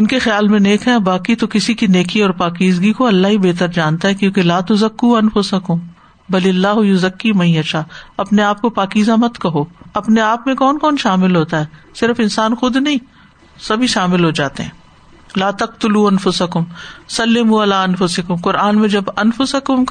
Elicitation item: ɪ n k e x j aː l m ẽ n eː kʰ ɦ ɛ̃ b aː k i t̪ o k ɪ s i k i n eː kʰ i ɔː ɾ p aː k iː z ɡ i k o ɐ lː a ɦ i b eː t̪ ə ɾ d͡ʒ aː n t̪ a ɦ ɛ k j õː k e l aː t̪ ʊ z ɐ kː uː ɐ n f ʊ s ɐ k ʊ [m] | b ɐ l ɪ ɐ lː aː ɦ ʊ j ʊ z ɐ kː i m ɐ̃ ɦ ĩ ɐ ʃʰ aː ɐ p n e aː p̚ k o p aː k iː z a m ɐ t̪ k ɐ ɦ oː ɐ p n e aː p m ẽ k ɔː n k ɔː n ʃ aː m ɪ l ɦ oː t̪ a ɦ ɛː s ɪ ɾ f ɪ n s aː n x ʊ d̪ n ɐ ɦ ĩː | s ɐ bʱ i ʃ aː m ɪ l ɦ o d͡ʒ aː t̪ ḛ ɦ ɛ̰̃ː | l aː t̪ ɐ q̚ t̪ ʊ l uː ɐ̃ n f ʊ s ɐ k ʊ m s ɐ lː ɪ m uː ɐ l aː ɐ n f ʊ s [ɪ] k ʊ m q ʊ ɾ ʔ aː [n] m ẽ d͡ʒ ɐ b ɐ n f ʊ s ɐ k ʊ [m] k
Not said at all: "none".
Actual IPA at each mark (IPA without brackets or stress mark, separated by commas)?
m, ɪ, n, m